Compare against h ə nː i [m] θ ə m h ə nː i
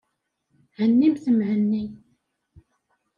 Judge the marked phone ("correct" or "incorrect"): correct